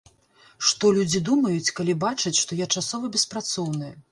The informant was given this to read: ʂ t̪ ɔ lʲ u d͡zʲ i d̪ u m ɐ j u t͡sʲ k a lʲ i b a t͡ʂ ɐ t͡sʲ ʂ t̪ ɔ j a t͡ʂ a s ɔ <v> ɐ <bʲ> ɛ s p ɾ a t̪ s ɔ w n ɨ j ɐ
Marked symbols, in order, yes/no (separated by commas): yes, yes